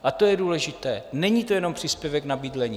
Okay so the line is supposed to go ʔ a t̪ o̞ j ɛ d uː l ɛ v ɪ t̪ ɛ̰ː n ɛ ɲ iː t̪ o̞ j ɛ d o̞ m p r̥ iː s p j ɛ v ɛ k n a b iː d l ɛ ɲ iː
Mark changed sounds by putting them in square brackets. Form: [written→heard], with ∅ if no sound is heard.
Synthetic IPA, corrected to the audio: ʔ a t̪ o̞ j ɛ d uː l ɛ [v→ʒ] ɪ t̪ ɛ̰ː n ɛ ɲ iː t̪ o̞ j ɛ [d→n] o̞ m p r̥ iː s p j ɛ v ɛ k n a b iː d l ɛ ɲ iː